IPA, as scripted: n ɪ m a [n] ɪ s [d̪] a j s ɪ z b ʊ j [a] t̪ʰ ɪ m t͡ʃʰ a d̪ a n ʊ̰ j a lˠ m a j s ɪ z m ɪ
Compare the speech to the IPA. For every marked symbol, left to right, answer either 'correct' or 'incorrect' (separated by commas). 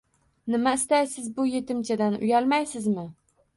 incorrect, incorrect, incorrect